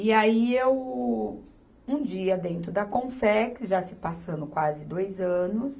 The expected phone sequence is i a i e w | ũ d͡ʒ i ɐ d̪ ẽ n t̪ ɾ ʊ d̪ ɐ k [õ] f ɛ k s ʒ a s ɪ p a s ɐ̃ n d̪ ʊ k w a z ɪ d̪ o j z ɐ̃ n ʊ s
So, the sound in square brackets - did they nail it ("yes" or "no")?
yes